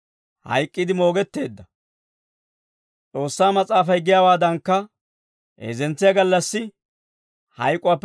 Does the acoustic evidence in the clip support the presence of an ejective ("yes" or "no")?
yes